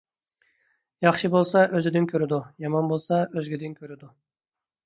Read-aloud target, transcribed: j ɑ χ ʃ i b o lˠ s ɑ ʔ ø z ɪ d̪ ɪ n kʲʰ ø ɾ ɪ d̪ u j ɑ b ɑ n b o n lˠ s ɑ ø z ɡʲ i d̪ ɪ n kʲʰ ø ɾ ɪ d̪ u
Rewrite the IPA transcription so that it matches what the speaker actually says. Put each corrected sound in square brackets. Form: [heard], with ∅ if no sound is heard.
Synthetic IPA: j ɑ χ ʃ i b o lˠ s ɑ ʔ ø z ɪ d̪ ɪ n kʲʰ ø ɾ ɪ d̪ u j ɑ [m] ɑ n b o [∅] lˠ s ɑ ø z ɡʲ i d̪ ɪ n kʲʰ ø ɾ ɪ d̪ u